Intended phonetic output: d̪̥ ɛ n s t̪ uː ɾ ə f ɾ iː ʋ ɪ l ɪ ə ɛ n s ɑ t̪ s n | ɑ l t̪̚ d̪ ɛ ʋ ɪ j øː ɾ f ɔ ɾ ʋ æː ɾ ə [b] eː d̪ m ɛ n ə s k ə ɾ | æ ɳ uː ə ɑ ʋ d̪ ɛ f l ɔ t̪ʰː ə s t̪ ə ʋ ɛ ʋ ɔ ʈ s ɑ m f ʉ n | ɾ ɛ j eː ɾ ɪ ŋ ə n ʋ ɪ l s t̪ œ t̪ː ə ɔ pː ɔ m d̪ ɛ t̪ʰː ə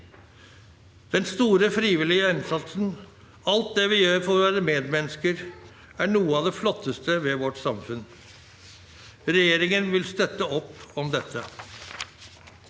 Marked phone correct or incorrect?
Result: incorrect